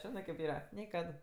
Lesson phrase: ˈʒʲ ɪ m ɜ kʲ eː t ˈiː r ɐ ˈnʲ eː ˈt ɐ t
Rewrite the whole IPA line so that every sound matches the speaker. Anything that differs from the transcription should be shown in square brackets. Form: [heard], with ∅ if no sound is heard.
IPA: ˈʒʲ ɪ [n] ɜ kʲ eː [p] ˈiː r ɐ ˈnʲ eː [ˈk] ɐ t